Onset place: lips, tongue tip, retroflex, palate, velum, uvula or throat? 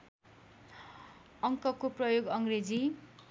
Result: velum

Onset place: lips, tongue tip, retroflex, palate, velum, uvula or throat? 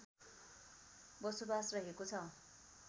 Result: lips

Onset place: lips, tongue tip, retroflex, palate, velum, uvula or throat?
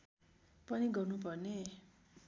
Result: lips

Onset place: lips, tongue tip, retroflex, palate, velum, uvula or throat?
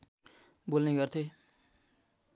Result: lips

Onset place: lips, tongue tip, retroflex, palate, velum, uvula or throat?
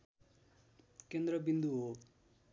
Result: velum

